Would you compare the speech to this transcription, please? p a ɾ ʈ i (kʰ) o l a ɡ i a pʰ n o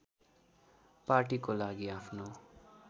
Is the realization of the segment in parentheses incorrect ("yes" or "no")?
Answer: yes